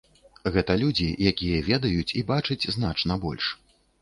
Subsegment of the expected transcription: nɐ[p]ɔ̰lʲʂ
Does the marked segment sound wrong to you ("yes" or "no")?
yes